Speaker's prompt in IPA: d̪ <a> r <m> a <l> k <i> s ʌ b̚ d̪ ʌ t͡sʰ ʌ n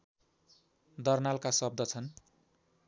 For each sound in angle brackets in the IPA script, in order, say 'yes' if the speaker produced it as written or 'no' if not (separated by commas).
no, no, yes, no